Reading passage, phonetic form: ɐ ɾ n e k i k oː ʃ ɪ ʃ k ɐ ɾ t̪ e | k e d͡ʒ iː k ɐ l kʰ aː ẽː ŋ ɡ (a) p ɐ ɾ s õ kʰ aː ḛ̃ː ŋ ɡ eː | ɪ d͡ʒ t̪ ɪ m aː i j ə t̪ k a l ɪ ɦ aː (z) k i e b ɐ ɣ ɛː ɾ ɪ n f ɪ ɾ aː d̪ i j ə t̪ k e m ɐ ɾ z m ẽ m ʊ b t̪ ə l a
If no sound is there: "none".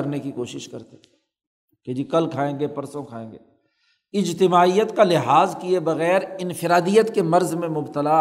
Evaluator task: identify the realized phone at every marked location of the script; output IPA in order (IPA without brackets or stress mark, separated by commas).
e, z